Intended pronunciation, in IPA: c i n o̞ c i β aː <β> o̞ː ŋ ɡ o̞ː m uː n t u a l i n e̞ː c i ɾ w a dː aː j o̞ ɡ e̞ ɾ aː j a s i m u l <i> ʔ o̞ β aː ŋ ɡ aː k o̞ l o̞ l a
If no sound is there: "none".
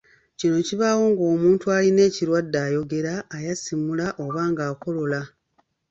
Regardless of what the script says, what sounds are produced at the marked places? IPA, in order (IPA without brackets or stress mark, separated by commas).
w, a